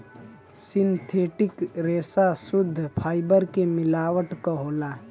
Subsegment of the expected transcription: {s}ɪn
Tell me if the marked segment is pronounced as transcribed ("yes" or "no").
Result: yes